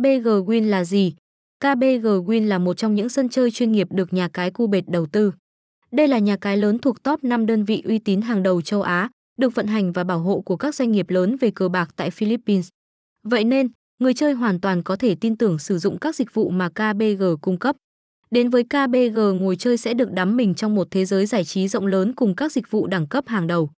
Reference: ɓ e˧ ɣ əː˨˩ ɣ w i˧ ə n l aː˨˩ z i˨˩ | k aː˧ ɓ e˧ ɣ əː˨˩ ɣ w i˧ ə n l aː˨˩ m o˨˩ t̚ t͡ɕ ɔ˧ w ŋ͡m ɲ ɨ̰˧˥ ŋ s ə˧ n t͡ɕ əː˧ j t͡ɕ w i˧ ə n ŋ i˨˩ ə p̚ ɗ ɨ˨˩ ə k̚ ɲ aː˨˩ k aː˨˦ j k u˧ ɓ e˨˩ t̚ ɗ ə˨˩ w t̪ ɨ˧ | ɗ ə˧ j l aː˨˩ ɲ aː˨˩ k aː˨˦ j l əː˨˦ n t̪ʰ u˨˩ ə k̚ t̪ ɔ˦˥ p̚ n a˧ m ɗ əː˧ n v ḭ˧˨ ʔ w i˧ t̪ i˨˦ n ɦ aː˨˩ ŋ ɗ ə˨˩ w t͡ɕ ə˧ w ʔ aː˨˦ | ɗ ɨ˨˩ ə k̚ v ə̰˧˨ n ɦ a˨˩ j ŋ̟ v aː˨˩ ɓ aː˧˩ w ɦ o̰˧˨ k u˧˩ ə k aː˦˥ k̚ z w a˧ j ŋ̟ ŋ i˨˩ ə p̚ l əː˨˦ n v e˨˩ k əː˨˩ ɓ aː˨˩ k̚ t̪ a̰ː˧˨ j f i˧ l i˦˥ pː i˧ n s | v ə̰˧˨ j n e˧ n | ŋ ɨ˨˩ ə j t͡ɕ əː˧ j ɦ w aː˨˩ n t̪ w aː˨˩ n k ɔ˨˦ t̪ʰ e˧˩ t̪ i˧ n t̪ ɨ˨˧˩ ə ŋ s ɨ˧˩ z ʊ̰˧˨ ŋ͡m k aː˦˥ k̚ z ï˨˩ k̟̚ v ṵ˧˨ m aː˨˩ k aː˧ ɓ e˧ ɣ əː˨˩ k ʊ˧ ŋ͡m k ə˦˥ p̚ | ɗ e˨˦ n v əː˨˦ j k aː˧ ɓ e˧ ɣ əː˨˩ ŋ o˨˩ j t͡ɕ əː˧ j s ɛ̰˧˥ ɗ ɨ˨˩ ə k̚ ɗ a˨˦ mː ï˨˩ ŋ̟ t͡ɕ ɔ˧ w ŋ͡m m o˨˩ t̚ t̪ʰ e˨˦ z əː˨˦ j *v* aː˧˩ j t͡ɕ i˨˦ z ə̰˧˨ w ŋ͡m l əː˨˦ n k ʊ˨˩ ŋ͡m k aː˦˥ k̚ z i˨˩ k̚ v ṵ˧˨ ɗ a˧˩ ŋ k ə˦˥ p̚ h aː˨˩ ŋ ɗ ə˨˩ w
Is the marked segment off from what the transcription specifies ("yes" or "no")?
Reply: yes